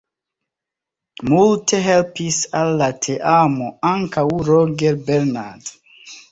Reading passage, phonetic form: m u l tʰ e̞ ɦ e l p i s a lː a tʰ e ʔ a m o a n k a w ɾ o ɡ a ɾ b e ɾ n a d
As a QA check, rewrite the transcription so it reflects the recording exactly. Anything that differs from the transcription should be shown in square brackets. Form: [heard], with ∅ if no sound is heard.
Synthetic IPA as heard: m u l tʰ e̞ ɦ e l p i s a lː a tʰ e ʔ a m o a [ŋ] k a w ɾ o ɡ [e] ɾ b e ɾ n a d